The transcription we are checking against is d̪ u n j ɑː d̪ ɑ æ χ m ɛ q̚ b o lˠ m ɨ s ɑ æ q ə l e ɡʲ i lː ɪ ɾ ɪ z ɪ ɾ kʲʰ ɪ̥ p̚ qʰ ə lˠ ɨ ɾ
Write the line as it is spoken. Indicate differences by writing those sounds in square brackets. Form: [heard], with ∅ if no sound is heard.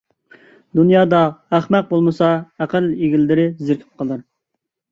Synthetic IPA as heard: d̪ u n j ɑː d̪ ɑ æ χ m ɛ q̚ b o lˠ m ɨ s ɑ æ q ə l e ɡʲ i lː ɪ ɾ ɪ z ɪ ɾ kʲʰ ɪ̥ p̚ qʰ ə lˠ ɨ ɾ